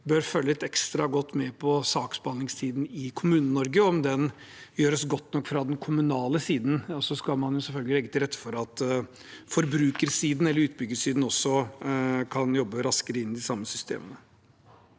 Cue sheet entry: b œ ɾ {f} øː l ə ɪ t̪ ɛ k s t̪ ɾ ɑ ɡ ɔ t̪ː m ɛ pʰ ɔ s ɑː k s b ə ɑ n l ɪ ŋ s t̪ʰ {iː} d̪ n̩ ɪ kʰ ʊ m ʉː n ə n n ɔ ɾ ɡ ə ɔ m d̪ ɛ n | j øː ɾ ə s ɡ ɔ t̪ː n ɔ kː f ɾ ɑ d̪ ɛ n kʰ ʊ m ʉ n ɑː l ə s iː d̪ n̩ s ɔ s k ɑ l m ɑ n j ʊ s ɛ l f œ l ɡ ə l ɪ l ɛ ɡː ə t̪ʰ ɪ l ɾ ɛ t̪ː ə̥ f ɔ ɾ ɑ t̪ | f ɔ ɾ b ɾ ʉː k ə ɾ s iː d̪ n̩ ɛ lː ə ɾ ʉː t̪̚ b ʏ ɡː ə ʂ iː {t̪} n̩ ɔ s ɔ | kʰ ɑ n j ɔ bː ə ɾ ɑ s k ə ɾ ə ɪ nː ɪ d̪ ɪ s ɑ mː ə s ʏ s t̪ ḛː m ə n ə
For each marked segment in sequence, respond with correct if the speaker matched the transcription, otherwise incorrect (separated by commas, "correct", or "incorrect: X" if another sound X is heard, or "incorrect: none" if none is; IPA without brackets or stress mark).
correct, correct, incorrect: d̪